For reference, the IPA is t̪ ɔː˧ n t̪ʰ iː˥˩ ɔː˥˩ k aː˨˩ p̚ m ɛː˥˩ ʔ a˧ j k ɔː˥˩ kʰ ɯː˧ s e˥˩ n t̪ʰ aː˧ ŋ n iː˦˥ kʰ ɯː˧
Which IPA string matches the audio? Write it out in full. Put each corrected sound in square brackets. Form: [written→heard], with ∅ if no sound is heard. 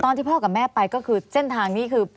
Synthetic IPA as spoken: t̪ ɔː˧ n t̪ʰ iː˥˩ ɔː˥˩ k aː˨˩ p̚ m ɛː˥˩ [ʔ→p] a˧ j k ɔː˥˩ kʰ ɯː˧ s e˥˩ n t̪ʰ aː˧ ŋ n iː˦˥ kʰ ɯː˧